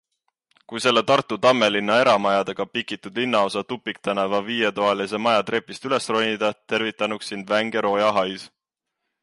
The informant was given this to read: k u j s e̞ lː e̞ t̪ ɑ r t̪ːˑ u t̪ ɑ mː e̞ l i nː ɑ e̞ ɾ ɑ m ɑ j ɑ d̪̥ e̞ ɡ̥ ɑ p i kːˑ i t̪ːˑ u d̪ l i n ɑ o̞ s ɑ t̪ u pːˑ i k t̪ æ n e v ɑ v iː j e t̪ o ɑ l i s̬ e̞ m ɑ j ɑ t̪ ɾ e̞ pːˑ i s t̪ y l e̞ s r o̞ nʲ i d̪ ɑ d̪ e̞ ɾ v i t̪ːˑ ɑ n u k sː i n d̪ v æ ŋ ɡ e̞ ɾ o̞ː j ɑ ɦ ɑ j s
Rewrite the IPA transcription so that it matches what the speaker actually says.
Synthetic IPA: k u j s e̞ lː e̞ t̪ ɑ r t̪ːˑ u t̪ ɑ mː e̞ l i nː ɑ e̞ ɾ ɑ m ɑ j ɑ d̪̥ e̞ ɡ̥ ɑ p i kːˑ i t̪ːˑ u d̪ l i nː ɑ o̞ s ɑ t̪ u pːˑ i k t̪ æ n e v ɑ v iː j e t̪ o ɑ l i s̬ e̞ m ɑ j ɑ t̪ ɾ e̞ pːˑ i s t̪ y l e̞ s r o̞ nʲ i d̪ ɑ t̪ e̞ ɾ v i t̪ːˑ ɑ n u k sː i n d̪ v æ ŋ ɡ e̞ ɾ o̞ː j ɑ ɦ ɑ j s